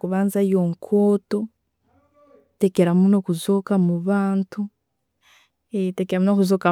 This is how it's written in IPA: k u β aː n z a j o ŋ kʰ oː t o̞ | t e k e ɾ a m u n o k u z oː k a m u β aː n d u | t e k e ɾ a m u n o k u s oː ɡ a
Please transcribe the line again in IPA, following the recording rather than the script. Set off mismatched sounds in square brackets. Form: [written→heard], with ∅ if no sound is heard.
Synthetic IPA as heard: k u β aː n z a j o ŋ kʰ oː t o̞ | t e k e ɾ a m u n o k u z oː k a m u β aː n [d→t] u | t e k e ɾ a m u n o k u [s→z] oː [ɡ→k] a